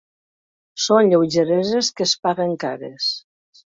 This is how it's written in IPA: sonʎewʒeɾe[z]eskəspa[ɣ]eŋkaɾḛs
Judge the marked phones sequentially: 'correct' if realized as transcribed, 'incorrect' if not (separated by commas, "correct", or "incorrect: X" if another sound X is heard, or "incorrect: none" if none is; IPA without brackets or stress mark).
correct, correct